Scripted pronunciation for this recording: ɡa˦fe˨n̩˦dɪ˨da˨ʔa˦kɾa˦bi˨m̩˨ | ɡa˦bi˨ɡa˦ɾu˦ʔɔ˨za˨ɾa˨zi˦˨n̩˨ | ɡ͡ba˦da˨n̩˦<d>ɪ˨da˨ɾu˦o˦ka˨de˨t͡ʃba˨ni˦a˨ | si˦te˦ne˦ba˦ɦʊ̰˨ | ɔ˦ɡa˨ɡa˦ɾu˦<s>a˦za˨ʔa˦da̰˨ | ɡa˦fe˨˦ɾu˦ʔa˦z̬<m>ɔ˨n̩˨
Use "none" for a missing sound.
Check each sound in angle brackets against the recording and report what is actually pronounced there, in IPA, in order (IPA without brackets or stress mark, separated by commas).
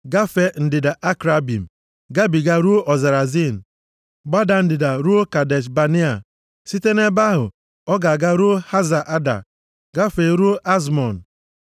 d, h, m